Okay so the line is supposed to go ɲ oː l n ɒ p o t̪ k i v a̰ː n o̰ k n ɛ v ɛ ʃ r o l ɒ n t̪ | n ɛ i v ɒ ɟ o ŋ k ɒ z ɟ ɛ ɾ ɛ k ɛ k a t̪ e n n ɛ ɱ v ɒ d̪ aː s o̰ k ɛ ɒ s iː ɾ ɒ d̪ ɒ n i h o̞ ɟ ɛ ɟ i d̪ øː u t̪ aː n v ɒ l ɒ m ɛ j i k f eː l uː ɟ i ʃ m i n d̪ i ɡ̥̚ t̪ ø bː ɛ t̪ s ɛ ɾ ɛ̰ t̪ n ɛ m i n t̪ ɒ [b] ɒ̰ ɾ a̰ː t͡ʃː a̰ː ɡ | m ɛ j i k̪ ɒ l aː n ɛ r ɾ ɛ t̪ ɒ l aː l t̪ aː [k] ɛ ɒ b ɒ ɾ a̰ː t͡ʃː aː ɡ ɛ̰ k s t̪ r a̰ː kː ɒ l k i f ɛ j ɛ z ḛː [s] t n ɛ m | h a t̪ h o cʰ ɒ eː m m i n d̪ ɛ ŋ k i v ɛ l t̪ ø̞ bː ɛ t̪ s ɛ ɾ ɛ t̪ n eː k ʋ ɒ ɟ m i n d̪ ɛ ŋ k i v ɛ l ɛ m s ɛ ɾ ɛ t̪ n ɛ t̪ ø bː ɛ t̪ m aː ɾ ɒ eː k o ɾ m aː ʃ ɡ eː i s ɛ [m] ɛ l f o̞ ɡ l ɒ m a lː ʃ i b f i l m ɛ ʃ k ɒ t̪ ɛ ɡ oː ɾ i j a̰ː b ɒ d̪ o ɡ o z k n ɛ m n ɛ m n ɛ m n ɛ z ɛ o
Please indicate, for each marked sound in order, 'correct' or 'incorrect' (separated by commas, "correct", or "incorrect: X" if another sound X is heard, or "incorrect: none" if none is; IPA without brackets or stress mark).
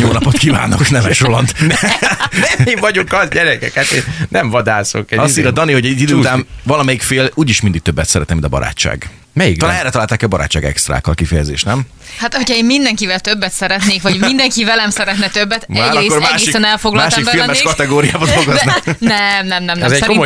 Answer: correct, correct, incorrect: ʃ, incorrect: n